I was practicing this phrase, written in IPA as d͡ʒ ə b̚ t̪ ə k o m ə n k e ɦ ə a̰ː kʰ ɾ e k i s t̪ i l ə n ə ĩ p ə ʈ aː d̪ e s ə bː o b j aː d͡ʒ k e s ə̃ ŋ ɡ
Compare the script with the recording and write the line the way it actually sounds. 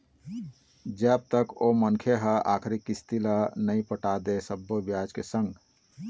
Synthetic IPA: d͡ʒ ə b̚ t̪ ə k o m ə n kʰ e ɦ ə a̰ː kʰ ɾ i k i s t̪ i l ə n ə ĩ p ə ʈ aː d̪ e s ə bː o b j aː d͡ʒ k e s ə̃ ŋ ɡ